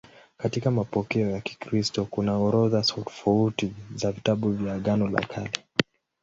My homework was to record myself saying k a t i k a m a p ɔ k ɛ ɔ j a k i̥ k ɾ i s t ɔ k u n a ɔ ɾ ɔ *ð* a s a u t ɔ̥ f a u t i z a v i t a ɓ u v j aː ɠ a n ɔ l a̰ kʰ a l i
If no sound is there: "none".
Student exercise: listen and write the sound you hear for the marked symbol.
ð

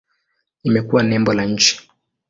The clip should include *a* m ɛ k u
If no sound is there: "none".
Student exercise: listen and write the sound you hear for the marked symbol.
i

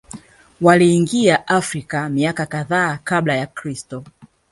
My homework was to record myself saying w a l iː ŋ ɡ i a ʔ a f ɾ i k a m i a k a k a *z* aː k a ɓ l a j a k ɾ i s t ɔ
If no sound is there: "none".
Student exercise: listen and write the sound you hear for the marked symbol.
ð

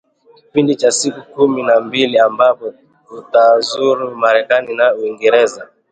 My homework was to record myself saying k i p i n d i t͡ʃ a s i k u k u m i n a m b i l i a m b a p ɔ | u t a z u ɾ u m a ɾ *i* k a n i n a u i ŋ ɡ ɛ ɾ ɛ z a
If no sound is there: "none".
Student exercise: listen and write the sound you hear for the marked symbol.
ɛ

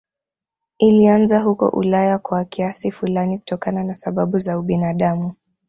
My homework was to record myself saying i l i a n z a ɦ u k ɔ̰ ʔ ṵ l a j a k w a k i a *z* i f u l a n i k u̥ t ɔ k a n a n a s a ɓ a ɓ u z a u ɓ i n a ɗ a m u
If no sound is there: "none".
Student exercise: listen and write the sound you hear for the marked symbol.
s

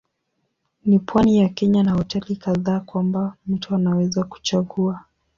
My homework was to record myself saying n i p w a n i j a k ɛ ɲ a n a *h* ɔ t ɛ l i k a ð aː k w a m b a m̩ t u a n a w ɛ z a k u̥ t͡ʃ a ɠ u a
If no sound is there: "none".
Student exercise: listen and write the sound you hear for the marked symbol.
h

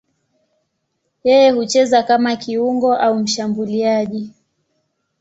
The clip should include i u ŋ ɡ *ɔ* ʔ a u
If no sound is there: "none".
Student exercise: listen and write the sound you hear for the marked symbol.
ɔ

